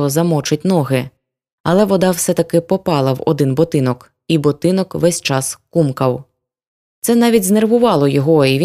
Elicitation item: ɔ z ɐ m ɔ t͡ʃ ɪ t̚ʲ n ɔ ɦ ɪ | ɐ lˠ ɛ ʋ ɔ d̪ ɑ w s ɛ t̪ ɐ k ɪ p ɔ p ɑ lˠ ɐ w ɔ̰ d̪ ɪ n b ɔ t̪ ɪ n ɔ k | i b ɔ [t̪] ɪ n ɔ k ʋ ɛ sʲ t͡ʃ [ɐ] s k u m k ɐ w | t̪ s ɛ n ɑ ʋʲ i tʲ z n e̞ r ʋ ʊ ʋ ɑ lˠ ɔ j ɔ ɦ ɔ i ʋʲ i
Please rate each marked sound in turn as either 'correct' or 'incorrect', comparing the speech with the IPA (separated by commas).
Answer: correct, incorrect